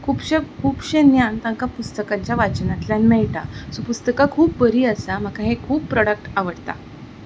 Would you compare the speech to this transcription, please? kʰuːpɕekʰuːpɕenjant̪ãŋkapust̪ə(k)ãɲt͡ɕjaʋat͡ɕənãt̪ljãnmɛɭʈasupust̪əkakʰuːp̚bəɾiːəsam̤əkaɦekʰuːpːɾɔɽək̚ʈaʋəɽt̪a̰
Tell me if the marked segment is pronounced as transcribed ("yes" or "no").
yes